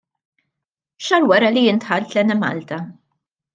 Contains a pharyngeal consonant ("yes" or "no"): yes